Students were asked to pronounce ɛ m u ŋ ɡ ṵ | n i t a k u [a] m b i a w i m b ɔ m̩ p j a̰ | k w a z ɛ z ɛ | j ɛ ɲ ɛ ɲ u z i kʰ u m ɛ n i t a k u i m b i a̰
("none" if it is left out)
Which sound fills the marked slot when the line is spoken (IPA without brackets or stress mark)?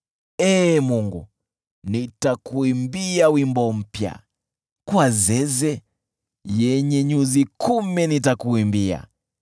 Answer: i